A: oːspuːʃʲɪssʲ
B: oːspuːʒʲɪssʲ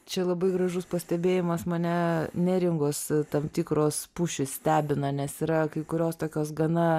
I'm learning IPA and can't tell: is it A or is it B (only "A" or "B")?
A